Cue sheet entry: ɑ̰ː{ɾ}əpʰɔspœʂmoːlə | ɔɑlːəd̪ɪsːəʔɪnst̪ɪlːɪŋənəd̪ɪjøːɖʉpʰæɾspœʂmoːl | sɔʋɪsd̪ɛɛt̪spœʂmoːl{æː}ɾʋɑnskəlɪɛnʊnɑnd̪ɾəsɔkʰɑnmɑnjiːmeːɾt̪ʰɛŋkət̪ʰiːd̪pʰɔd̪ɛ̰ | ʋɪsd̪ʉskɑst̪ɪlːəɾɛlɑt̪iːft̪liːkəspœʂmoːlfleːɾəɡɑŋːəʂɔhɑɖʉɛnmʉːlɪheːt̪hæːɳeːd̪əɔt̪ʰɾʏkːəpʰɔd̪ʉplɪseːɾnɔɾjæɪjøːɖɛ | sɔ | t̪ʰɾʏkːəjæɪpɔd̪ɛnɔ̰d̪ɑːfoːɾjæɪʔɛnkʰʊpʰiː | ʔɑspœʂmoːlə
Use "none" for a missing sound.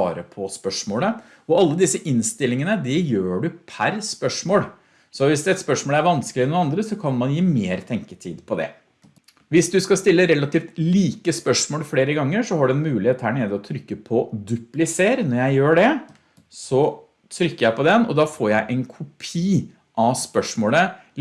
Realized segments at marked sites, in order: ɾ, æ

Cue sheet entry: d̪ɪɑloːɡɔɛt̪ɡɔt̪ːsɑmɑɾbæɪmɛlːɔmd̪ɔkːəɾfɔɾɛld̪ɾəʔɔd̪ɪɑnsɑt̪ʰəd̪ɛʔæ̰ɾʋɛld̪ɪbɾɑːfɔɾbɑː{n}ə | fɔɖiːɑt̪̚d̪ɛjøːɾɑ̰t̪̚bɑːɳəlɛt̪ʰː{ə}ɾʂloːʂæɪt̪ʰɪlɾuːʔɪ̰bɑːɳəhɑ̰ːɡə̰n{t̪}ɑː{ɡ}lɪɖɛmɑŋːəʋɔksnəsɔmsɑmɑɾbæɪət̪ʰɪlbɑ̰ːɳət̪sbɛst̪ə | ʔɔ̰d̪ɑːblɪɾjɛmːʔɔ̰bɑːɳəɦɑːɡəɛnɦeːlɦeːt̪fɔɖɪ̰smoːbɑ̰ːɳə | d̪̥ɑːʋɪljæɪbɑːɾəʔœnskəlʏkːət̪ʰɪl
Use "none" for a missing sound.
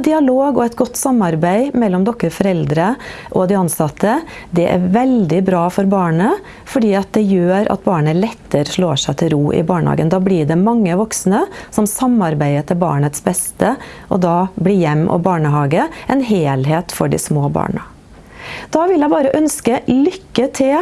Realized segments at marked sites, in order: ɳ, ə, d̪, b

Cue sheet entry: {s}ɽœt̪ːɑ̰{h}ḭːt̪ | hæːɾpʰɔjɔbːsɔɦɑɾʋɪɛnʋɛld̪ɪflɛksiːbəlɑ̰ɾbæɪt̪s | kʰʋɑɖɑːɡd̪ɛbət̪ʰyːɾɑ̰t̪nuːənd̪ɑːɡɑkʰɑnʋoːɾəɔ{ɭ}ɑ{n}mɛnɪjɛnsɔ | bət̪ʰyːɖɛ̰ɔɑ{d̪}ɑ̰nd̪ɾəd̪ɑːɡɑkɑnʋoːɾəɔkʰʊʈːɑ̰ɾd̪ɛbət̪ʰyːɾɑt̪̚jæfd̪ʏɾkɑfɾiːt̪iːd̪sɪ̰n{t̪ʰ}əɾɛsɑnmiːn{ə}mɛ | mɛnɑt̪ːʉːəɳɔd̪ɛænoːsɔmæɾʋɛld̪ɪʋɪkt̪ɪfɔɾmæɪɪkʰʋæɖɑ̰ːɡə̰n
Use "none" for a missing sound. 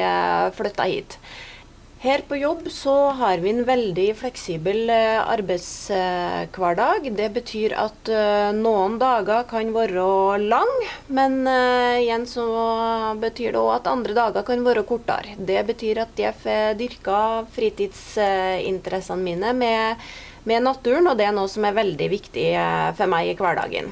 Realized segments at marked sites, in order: f, h, l, ŋ, t̪, t̪, ə

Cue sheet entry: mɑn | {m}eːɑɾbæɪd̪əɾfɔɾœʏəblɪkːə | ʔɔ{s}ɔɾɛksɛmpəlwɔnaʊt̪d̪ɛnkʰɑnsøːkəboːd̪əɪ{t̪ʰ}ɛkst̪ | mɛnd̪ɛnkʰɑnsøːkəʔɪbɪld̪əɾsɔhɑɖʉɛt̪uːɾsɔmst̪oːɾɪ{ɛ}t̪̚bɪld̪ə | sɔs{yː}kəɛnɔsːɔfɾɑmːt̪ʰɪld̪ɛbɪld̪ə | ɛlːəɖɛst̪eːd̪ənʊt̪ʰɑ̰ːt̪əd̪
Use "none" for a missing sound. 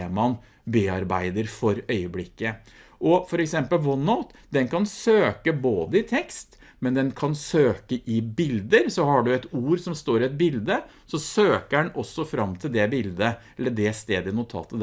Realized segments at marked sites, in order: b, f, t̪ʰ, ɛ, øː

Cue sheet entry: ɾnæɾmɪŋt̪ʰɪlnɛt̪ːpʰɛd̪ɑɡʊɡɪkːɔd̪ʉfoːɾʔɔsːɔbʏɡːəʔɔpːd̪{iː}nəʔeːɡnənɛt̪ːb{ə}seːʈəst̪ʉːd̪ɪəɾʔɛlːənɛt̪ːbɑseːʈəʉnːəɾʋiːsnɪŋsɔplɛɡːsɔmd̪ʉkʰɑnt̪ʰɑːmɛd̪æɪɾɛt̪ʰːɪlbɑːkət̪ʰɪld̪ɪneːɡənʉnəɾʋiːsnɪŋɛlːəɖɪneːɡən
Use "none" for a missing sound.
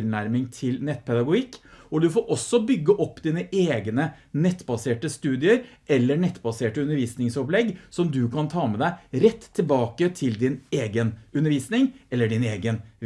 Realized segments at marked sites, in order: iː, ɑ

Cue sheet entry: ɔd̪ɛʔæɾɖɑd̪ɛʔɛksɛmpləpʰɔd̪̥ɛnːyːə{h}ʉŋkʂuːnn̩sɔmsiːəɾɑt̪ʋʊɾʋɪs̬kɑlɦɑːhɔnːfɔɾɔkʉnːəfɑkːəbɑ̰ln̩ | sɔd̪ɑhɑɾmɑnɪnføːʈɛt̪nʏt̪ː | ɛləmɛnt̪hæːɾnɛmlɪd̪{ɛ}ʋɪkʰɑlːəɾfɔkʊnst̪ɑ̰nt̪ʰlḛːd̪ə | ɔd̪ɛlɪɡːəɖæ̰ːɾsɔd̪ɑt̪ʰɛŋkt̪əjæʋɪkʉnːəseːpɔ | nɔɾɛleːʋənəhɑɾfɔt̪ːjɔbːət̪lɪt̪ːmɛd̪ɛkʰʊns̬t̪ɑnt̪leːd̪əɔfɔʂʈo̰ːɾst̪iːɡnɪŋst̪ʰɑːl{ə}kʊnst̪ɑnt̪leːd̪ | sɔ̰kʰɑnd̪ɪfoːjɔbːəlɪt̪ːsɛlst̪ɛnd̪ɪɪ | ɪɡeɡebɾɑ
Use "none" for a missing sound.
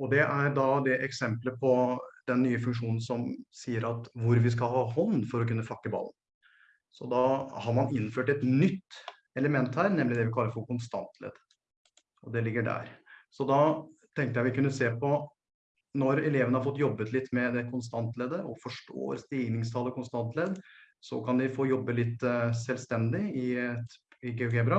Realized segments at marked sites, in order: f, ɛ, ə

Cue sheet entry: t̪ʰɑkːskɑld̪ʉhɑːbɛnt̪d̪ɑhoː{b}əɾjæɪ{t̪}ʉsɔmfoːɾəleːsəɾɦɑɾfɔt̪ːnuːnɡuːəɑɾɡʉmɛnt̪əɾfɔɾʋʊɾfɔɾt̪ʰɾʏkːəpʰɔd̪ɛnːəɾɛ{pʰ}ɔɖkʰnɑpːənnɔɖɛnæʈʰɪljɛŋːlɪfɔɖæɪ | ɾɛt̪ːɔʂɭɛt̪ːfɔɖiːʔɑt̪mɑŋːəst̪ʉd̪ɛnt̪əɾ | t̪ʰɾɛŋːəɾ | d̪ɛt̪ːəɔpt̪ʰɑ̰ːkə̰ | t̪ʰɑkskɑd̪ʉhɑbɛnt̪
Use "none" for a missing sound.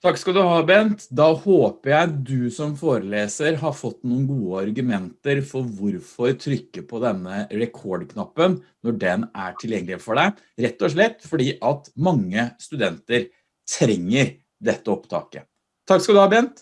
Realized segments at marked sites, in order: p, d̪, kʰ

